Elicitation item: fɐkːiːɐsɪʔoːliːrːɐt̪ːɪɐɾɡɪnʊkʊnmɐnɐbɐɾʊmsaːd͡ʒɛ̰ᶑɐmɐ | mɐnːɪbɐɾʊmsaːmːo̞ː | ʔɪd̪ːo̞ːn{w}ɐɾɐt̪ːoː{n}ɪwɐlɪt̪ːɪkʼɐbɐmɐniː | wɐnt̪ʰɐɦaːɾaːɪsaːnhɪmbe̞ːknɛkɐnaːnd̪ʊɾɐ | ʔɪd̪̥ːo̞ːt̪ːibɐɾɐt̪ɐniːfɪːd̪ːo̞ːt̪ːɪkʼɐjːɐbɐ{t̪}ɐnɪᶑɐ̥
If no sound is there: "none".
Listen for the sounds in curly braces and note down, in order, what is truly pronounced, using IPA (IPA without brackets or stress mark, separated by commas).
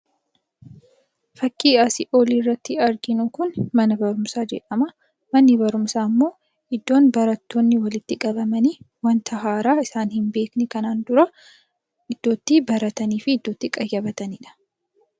b, nː, t̪